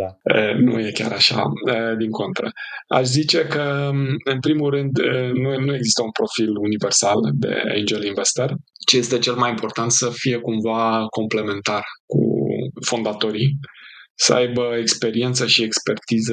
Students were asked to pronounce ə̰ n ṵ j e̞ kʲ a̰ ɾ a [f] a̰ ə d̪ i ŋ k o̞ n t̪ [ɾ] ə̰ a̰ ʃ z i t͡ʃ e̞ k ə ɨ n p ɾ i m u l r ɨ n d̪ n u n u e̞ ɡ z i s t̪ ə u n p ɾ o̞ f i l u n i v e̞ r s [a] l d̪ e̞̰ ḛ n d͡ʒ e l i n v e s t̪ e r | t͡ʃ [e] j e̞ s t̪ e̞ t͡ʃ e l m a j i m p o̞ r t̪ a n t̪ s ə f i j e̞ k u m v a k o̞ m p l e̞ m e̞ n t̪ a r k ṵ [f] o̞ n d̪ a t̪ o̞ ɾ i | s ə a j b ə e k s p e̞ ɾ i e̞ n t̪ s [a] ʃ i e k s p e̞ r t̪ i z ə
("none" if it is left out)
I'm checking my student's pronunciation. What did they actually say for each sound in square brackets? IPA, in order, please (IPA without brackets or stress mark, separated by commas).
ʃ, ɾ, a, e, f, ə